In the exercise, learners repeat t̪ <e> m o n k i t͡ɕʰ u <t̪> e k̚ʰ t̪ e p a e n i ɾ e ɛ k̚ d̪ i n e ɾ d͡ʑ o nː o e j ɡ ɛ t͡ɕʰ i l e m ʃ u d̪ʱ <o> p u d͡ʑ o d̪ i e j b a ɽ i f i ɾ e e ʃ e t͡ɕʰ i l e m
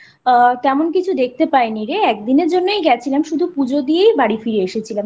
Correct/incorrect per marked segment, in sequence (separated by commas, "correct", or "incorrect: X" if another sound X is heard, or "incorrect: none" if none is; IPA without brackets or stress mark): incorrect: ɛ, incorrect: d̪, incorrect: u